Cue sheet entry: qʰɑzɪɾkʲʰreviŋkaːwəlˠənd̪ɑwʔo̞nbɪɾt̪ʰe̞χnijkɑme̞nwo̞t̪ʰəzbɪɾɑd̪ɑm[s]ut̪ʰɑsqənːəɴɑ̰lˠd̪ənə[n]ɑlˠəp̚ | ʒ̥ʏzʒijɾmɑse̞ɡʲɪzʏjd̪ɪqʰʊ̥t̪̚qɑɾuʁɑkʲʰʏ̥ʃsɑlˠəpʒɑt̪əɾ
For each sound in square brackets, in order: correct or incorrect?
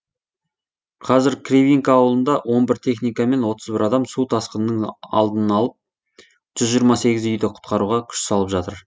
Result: correct, correct

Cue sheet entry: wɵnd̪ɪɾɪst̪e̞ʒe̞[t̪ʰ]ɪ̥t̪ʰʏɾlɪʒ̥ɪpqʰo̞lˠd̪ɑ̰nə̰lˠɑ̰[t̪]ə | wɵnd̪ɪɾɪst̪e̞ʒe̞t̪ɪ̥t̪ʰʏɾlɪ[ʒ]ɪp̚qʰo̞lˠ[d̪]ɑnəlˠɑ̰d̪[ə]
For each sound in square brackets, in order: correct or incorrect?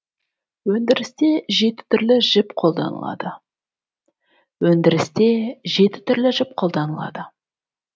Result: incorrect, incorrect, correct, correct, correct

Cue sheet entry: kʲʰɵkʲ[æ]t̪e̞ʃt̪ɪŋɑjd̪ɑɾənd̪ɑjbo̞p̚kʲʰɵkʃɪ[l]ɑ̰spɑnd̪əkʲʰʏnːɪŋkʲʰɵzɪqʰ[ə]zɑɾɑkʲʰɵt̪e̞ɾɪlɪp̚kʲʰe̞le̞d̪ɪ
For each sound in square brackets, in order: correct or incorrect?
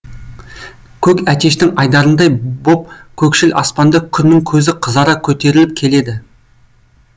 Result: correct, correct, correct

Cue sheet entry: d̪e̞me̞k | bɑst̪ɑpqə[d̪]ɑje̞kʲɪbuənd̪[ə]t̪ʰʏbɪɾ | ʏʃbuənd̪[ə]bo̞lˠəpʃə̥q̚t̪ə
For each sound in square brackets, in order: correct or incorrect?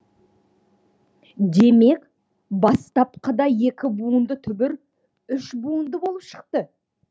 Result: correct, correct, correct

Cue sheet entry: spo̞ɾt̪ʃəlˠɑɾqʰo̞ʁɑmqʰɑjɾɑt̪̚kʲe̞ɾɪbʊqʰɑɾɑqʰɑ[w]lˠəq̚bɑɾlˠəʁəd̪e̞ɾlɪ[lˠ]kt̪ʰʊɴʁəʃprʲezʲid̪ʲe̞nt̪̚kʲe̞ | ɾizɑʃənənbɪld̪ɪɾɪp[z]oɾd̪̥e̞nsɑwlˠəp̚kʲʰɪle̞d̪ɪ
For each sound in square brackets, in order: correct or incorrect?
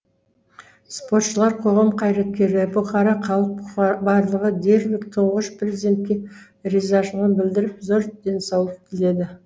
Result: incorrect, incorrect, correct

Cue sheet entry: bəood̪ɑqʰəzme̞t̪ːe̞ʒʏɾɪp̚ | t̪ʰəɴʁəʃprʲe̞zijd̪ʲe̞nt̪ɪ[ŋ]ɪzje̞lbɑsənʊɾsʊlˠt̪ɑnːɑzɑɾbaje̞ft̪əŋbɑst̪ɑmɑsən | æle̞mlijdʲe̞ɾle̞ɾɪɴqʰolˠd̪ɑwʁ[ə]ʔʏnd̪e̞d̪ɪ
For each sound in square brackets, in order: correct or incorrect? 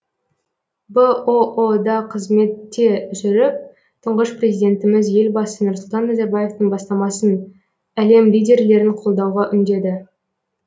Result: incorrect, incorrect

